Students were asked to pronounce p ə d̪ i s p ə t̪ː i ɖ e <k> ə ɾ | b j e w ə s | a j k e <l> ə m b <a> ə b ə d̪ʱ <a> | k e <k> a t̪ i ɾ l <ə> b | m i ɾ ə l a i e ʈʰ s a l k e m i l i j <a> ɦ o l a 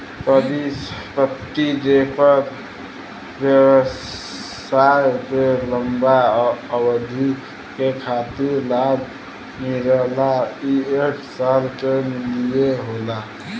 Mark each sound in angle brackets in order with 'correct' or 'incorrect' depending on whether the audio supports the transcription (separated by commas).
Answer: incorrect, correct, correct, incorrect, incorrect, incorrect, incorrect